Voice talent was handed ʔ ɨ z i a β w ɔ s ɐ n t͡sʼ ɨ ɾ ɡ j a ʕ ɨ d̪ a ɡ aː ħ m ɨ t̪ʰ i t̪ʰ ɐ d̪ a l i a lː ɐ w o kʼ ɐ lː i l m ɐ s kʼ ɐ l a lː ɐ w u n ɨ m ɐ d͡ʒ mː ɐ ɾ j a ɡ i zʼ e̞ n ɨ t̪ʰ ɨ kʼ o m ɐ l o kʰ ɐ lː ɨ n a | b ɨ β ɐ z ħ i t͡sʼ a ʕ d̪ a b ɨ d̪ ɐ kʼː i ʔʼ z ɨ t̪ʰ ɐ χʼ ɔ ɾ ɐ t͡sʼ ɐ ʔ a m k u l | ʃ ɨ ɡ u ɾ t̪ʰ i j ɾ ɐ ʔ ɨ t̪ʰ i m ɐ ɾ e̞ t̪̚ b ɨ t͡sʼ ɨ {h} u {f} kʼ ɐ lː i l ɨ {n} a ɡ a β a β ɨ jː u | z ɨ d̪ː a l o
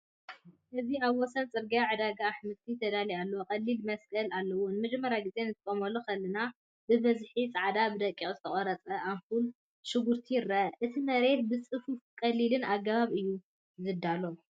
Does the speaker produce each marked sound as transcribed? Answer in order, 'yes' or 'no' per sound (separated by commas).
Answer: no, yes, yes